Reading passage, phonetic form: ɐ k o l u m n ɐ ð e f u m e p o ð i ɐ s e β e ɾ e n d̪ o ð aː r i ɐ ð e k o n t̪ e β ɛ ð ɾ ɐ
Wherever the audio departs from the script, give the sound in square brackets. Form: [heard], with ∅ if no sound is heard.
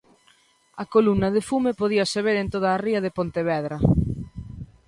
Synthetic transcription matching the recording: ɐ k o l u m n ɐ ð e f u m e p o ð i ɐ s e β e ɾ e n [t̪] o ð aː r i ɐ ð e [p] o n t̪ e β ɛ ð ɾ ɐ